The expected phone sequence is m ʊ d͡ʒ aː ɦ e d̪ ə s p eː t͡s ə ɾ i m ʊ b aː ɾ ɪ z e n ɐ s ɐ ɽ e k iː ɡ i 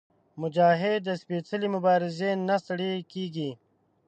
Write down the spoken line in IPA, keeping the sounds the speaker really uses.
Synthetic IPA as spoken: m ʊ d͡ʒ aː ɦ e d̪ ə s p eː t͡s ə l i m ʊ b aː ɾ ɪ z e n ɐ s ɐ ɽ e k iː ɡ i